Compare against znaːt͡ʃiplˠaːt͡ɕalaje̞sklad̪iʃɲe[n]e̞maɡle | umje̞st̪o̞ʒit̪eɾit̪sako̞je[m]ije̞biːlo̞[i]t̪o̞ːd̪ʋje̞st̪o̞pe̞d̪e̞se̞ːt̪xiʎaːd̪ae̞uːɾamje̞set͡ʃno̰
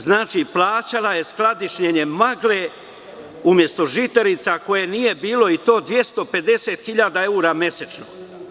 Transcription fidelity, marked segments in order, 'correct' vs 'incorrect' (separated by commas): incorrect, incorrect, correct